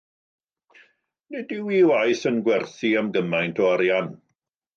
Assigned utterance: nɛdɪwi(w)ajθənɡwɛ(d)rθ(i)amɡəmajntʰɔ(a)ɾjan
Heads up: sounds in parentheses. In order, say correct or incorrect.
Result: correct, incorrect, correct, correct

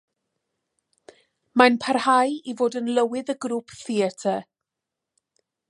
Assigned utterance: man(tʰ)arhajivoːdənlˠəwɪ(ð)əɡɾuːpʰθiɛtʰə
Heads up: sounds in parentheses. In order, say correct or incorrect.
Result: incorrect, correct

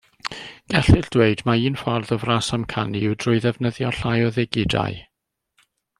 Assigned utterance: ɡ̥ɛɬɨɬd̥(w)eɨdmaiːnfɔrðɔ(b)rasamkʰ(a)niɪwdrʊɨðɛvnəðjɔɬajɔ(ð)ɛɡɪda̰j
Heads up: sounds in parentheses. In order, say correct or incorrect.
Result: correct, incorrect, correct, correct

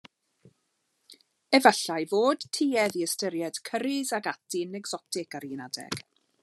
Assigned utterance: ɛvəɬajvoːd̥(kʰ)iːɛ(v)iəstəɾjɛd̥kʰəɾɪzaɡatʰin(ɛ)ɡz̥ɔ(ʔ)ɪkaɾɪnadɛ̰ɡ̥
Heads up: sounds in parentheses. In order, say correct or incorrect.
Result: incorrect, incorrect, correct, incorrect

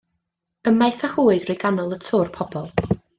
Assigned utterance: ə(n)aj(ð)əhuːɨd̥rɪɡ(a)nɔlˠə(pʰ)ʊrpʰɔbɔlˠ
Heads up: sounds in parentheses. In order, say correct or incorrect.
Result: incorrect, incorrect, correct, incorrect

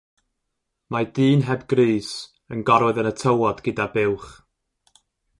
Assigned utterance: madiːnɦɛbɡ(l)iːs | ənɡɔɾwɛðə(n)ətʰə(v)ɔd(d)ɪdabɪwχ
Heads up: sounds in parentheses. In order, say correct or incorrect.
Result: incorrect, correct, incorrect, incorrect

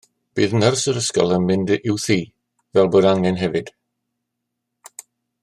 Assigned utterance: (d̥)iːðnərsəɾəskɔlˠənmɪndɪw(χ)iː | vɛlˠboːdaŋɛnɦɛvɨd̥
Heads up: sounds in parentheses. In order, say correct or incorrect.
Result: incorrect, incorrect

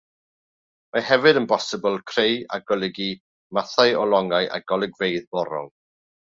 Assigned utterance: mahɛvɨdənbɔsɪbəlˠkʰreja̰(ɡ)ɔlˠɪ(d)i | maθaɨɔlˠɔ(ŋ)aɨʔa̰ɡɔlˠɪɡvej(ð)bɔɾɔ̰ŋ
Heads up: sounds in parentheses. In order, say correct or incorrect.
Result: correct, incorrect, correct, correct

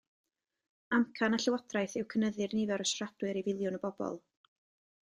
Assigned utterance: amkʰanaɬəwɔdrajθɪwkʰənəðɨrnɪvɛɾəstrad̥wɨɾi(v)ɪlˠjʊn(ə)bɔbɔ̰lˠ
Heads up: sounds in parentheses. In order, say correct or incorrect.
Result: correct, correct

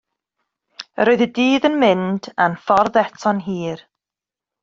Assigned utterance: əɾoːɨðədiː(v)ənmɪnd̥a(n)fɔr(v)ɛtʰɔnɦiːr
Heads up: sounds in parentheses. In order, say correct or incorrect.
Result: incorrect, correct, incorrect

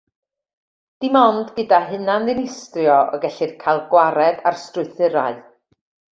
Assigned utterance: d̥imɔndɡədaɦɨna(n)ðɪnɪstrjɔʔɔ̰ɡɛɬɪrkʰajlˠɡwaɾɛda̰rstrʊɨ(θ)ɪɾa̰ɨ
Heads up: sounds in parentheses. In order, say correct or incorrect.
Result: correct, correct

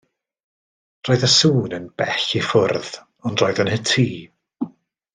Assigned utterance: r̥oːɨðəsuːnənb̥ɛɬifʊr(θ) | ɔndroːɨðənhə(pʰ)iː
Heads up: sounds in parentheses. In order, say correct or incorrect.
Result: incorrect, incorrect

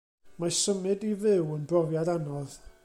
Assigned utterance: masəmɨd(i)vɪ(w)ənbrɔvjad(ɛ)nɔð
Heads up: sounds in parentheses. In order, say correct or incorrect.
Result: correct, correct, incorrect

